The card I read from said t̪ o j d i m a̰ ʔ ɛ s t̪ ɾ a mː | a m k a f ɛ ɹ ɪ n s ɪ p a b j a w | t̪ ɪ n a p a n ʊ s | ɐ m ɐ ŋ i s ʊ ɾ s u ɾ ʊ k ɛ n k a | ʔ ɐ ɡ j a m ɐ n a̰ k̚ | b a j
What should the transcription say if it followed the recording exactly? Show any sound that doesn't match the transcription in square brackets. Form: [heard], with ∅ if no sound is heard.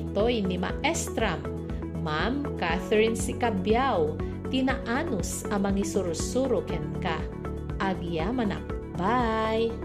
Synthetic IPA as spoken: t̪ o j [n] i m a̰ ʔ ɛ s t̪ ɾ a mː | a m k a [θ] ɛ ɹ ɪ n s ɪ [k] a b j a w | t̪ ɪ n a [ʔ] a n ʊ s | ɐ m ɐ ŋ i s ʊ ɾ s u ɾ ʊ k ɛ n k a | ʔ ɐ ɡ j a m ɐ n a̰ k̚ | b a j